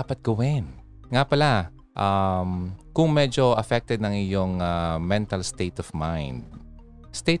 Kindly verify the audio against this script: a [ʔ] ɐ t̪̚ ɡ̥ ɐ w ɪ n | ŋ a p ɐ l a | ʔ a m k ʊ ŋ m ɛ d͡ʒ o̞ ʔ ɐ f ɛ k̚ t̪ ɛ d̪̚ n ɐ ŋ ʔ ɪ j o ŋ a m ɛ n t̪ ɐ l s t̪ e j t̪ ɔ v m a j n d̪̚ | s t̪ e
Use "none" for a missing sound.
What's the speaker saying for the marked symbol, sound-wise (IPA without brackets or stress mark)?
p